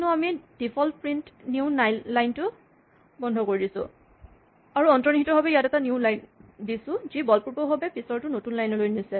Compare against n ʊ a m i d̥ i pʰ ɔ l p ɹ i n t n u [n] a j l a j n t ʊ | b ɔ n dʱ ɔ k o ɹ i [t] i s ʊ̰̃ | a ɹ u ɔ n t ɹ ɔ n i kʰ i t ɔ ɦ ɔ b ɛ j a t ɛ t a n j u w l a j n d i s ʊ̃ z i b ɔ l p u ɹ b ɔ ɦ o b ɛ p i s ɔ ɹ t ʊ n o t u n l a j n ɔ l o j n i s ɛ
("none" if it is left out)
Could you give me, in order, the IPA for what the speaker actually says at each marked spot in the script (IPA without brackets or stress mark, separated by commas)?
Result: n, d